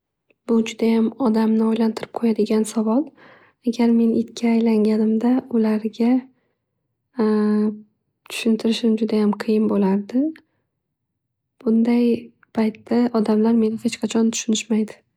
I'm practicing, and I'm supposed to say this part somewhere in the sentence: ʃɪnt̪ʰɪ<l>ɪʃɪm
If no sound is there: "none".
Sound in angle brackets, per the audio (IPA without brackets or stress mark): ɾ